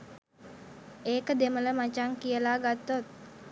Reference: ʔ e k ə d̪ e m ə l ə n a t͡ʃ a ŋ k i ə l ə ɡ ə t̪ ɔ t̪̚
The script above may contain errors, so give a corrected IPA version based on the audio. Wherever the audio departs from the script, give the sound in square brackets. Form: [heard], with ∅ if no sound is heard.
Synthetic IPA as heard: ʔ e k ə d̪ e m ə l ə [m] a t͡ʃ a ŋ k i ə l [a] ɡ [a] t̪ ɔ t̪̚